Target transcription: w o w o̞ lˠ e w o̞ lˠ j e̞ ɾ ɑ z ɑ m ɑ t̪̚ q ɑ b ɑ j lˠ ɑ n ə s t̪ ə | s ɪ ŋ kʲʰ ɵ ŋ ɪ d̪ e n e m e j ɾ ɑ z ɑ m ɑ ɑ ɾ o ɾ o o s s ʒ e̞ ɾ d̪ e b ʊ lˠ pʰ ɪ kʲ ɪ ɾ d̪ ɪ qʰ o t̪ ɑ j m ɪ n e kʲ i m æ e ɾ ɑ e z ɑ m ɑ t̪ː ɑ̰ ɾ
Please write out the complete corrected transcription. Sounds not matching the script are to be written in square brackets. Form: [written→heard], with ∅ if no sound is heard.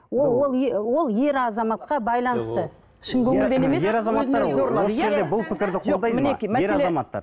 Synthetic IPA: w o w o̞ lˠ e w o̞ lˠ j e̞ ɾ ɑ z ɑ m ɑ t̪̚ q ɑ b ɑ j lˠ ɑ n ə s t̪ ə | [s→ʃ] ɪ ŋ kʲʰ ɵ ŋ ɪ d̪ e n e m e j ɾ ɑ z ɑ m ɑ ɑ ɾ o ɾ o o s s ʒ e̞ ɾ d̪ e b ʊ lˠ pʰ ɪ kʲ ɪ ɾ d̪ ɪ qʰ o [t̪→d̪] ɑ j m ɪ n e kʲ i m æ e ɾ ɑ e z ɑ m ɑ t̪ː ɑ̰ ɾ